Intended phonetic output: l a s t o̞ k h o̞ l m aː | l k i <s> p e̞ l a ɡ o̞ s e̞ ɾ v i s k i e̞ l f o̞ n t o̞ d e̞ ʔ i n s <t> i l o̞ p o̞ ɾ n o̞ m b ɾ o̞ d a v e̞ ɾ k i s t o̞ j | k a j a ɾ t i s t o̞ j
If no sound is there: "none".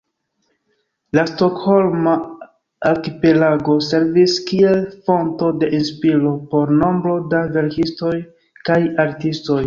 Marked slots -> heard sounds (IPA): none, p

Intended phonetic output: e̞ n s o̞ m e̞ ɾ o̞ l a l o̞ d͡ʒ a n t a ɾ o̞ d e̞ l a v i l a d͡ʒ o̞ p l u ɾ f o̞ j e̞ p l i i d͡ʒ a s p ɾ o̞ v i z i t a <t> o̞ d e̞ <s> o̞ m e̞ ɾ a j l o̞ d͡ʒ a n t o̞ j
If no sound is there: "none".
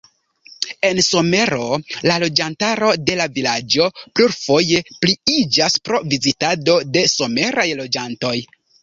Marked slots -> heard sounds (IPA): d, s

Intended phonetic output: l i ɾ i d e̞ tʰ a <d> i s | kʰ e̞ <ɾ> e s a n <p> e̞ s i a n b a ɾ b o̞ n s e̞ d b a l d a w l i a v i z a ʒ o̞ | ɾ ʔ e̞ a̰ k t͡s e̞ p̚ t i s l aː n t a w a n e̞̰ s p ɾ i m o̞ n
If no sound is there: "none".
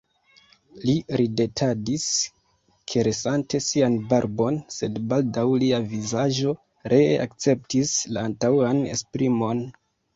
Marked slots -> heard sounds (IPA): d, ɾ, t

